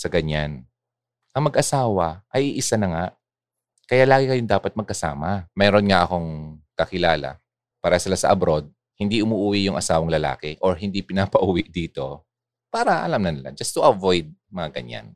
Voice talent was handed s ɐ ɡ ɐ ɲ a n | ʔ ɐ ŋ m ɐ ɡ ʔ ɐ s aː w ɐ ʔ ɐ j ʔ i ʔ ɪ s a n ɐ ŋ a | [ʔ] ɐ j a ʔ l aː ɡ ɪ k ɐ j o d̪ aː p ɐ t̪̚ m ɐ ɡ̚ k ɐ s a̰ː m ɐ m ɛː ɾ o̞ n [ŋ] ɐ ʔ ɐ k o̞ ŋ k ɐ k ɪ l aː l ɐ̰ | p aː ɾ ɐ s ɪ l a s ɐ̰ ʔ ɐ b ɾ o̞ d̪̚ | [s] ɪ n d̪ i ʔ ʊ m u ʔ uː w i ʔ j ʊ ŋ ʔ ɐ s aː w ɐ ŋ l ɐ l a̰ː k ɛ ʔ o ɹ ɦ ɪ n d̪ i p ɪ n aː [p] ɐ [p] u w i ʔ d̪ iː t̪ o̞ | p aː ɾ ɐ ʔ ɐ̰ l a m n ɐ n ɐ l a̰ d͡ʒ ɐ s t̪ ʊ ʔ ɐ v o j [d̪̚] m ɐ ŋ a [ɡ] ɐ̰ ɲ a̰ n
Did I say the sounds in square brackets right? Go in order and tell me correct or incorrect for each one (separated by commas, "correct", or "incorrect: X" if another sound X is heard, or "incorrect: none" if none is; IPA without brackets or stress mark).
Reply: incorrect: k, correct, incorrect: h, correct, incorrect: ʔ, correct, correct